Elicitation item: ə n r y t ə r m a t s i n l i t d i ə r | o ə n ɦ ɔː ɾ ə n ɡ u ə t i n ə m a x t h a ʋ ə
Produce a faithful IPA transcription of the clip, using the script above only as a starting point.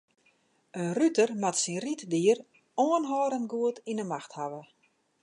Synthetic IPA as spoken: ə n r y t ə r m a t s i n r i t d i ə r | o ə n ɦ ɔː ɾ ə n ɡ u ə t i n ə m a x t h a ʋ ə